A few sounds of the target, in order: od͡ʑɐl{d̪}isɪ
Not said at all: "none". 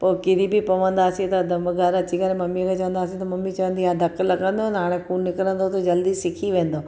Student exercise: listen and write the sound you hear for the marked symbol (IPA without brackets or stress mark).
d̪